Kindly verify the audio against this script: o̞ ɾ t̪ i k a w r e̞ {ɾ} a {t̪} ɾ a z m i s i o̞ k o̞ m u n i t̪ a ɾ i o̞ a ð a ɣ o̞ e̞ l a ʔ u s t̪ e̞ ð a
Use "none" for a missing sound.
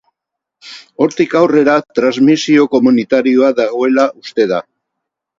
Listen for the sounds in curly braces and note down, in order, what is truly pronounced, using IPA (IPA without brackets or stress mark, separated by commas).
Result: ɾ, t̪